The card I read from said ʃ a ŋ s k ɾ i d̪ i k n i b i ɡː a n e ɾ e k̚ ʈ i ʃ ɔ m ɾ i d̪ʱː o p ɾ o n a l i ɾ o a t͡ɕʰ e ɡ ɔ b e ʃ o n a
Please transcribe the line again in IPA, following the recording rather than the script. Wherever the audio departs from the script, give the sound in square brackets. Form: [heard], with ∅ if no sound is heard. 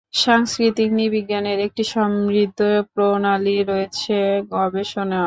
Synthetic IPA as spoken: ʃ a ŋ s k ɾ i [t̪] i k n i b i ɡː a n e ɾ e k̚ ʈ i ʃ ɔ m ɾ i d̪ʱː o p ɾ o n a l i ɾ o [e] t͡ɕʰ e ɡ ɔ b e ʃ o n a

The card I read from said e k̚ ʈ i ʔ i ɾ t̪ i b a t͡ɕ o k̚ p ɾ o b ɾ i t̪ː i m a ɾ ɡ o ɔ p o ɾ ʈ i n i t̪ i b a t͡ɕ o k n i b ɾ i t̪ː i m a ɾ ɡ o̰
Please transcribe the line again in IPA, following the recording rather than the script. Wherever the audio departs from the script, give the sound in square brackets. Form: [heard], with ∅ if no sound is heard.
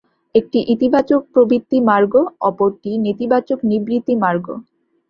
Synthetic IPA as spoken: e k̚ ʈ i ʔ i [∅] t̪ i b a t͡ɕ o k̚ p ɾ o b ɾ i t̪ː i m a ɾ ɡ o ɔ p o ɾ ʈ i n i t̪ i b a t͡ɕ o k n i b ɾ i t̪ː i m a ɾ ɡ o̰

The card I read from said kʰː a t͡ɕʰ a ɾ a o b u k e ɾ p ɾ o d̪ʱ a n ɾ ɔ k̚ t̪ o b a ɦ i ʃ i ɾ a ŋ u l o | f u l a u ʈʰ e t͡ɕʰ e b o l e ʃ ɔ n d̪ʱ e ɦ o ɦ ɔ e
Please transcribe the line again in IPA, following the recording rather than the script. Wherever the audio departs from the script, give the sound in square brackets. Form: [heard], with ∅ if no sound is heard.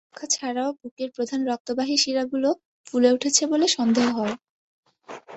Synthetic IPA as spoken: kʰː a t͡ɕʰ a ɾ a o b u k e ɾ p ɾ o d̪ʱ a n ɾ ɔ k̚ t̪ o b a ɦ i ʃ i ɾ a [ɡ] u l o | f u l [e] u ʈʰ e t͡ɕʰ e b o l e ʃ ɔ n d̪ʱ e ɦ o ɦ ɔ e

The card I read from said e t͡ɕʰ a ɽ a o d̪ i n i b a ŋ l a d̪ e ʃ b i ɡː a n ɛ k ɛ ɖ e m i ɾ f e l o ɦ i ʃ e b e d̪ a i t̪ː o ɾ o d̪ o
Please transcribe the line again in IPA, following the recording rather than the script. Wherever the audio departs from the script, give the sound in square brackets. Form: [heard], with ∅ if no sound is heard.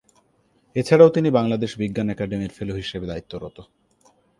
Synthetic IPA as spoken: e t͡ɕʰ a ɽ a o [t̪] i n i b a ŋ l a d̪ e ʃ b i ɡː a n ɛ k [a] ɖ e m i ɾ f e l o ɦ i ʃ e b e d̪ a i t̪ː o ɾ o [t̪] o

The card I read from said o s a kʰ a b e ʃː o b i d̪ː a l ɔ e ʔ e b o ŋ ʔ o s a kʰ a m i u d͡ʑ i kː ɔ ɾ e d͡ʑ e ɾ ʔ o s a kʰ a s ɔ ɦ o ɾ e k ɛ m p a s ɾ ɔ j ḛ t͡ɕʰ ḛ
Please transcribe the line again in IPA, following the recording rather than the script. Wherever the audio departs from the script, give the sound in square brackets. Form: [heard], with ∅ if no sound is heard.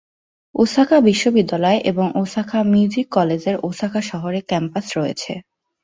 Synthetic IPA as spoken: o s a kʰ a b [i] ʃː o b i d̪ː a l ɔ e ʔ e b o ŋ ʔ o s a kʰ a m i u d͡ʑ i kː ɔ [l] e d͡ʑ e ɾ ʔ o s a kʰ a [ʃ] ɔ ɦ o ɾ e k ɛ m p a s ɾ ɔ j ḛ t͡ɕʰ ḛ

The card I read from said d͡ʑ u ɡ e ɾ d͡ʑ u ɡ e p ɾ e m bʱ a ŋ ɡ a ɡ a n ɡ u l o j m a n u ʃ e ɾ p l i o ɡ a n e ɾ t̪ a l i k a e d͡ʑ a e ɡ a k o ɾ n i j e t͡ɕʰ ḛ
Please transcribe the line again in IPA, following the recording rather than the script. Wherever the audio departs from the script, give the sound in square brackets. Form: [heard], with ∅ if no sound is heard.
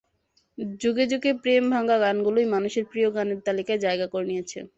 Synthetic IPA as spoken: d͡ʑ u ɡ e [∅] d͡ʑ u ɡ e p ɾ e m bʱ a ŋ ɡ a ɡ a n ɡ u l o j m a n u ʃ e ɾ p [ɾ] i o ɡ a n e ɾ t̪ a l i k a e d͡ʑ a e ɡ a k o ɾ n i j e t͡ɕʰ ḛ

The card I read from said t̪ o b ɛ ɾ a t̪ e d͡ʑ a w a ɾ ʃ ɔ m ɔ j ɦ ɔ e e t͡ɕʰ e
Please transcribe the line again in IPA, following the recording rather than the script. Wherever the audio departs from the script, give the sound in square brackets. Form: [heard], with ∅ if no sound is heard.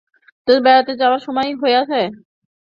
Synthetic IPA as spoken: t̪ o b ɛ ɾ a t̪ e d͡ʑ a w a ɾ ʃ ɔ m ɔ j ɦ [o] e [a] t͡ɕʰ e

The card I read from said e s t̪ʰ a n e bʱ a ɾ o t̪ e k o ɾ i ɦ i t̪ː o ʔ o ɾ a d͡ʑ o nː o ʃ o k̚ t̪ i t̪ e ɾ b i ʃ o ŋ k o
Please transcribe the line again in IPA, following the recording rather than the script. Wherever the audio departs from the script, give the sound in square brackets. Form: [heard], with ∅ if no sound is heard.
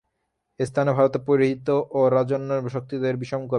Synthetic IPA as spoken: e s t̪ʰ a n e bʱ a ɾ o t̪ e [p] o ɾ i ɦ i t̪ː o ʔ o ɾ a d͡ʑ o nː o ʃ o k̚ t̪ i [d̪] e ɾ b i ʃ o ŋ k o

